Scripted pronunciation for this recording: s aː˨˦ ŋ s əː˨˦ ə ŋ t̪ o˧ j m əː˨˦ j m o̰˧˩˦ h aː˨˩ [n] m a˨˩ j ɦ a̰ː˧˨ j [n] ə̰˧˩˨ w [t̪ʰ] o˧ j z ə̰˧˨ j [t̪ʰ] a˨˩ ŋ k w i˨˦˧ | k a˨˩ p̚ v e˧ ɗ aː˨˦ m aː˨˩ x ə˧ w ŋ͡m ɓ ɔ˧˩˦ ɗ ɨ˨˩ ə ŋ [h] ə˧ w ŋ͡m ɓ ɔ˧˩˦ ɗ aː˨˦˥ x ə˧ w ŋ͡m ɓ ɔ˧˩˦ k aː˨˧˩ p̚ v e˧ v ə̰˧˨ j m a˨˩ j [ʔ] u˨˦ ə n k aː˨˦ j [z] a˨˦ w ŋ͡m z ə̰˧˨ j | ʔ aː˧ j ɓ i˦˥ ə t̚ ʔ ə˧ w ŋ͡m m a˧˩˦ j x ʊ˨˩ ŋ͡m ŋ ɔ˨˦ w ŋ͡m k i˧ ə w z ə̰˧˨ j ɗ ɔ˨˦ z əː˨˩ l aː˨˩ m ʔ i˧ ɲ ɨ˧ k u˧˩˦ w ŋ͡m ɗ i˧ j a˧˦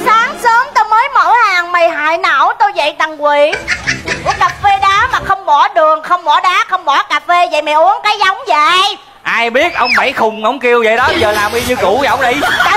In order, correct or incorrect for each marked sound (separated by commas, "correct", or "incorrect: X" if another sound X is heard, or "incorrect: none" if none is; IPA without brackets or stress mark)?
incorrect: ŋ, correct, incorrect: t̪, incorrect: t̪, incorrect: x, correct, correct